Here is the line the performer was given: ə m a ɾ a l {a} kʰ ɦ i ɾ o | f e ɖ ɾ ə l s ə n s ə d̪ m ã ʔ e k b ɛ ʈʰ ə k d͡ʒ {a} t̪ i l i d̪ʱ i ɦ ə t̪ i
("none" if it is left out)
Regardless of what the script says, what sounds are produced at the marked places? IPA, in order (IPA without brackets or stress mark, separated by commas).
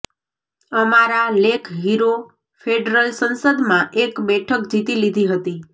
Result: e, i